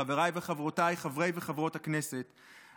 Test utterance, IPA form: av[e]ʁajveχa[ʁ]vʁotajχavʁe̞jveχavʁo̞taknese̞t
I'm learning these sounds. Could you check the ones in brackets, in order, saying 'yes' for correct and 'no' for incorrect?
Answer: yes, no

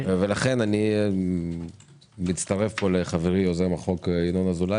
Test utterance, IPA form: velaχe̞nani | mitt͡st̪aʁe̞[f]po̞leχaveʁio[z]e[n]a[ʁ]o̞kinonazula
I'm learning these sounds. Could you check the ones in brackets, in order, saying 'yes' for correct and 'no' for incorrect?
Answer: yes, yes, no, no

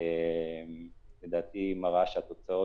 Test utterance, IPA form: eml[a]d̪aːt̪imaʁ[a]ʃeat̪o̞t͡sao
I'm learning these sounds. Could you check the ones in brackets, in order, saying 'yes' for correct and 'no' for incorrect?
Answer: no, yes

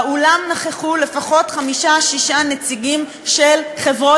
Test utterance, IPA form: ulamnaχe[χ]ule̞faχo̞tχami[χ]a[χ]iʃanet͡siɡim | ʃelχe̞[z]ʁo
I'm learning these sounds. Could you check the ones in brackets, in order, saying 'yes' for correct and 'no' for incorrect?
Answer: yes, no, no, no

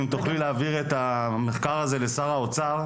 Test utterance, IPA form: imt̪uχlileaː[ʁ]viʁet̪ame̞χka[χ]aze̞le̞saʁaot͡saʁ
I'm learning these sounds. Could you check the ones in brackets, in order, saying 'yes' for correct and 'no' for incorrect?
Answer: no, no

